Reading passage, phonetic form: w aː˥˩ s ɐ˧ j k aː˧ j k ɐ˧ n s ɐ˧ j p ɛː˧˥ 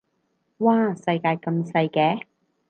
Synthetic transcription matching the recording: w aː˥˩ s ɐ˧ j k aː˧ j k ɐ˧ m s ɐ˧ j k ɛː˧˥